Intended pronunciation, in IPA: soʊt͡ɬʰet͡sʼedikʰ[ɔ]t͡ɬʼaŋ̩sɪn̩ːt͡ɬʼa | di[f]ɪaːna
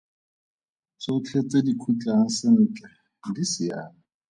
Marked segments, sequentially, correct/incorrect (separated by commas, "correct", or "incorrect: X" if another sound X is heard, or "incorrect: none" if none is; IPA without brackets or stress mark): incorrect: u, incorrect: s